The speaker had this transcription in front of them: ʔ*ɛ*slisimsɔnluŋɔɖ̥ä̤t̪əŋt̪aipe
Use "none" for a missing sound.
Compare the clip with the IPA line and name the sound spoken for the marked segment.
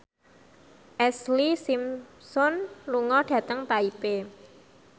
ɛ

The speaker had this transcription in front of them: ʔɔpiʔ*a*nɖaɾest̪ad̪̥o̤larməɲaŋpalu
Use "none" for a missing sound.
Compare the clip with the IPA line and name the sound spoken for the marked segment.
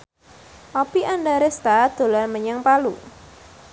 a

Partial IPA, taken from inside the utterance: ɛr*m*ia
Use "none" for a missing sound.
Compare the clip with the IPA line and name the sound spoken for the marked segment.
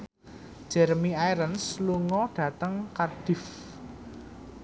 m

